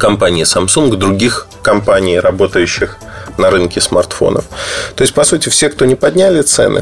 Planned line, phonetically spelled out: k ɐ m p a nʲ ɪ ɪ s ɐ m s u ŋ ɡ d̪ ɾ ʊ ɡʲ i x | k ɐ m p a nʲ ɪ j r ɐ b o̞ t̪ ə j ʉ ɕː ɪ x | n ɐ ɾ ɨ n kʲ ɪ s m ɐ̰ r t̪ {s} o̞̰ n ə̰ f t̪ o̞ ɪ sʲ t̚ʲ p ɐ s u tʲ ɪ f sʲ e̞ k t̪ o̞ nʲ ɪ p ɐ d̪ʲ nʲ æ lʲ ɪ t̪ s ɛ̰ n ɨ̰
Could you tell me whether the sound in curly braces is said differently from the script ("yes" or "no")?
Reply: yes